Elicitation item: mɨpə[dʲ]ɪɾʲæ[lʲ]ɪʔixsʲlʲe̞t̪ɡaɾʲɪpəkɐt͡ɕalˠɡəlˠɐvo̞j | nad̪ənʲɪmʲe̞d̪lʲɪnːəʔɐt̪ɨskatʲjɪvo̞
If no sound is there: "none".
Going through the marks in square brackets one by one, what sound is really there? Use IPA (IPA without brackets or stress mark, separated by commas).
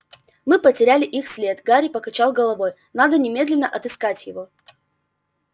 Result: tʲ, lʲ